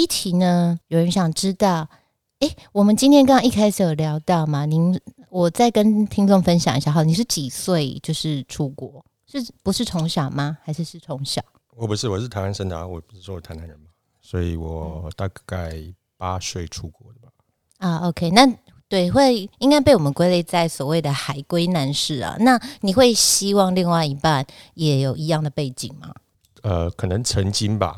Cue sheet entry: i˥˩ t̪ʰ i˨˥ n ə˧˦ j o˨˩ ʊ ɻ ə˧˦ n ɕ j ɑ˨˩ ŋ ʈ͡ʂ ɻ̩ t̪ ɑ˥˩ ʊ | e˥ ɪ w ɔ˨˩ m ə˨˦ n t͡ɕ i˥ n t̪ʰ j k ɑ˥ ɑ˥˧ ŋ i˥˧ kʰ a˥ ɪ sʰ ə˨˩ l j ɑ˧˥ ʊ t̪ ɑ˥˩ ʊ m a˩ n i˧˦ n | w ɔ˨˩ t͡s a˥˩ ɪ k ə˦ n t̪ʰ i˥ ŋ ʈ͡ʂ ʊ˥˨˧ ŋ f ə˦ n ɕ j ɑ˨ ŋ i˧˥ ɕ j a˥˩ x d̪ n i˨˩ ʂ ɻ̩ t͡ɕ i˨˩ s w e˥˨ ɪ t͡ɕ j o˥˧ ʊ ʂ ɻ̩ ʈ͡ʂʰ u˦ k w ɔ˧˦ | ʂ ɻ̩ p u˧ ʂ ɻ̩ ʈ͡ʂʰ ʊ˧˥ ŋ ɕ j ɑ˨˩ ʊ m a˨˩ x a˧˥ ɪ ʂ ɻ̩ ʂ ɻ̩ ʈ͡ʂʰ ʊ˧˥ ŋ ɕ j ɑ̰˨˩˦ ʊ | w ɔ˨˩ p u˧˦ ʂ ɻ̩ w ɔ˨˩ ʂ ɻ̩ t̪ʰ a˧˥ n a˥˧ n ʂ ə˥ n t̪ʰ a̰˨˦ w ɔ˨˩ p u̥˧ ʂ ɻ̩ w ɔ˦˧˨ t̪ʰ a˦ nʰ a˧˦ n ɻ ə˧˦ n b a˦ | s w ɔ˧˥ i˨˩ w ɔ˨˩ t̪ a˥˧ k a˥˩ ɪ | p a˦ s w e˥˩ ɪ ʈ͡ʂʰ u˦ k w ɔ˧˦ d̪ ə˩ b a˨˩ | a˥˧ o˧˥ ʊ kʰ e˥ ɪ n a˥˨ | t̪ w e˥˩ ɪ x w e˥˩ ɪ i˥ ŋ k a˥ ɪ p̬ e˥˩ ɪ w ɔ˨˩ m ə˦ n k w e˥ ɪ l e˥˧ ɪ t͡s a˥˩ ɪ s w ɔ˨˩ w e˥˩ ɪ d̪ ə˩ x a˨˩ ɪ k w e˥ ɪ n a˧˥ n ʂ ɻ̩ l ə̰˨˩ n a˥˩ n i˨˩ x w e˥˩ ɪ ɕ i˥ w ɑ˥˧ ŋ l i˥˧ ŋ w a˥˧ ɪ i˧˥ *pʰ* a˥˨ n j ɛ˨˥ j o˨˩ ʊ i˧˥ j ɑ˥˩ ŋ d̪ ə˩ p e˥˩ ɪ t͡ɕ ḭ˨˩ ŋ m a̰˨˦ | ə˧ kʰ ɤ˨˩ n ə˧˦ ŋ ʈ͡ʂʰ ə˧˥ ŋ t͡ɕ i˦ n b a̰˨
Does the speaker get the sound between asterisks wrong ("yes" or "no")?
yes